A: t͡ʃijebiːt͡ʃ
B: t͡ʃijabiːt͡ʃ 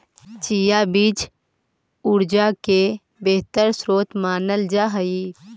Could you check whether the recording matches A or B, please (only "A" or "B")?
B